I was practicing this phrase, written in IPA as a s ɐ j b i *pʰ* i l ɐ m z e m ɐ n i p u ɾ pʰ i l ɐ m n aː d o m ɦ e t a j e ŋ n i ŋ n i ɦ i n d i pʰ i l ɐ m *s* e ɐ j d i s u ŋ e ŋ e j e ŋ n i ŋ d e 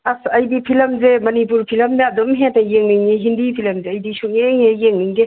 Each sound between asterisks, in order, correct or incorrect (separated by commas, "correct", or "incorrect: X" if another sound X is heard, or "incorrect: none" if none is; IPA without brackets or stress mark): correct, incorrect: z